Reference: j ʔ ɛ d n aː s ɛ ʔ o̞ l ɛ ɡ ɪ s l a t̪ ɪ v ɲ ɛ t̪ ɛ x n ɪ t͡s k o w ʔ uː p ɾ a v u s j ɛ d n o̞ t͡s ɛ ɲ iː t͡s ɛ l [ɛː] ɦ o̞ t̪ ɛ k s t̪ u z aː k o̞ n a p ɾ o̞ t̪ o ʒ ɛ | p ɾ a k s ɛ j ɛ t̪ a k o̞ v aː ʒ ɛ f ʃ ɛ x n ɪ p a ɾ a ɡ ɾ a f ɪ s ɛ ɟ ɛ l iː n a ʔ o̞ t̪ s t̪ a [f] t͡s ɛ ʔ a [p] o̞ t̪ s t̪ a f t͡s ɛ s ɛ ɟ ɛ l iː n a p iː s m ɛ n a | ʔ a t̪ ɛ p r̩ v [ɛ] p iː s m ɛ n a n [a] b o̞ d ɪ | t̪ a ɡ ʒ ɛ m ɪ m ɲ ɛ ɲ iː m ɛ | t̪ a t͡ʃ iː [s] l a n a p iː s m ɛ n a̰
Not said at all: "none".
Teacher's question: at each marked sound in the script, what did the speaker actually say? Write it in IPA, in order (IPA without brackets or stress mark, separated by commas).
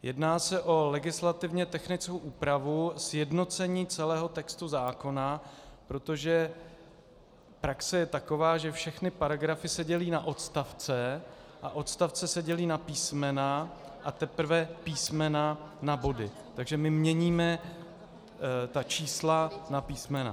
ɛː, f, ʔ, ɛ, a, s